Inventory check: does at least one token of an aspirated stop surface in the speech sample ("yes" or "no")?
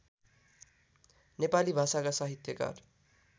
no